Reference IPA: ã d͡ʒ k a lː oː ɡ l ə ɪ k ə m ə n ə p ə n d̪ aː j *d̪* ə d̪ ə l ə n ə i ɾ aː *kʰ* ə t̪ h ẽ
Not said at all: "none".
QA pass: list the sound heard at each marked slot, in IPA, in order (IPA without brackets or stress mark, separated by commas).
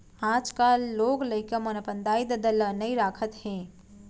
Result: d̪, kʰ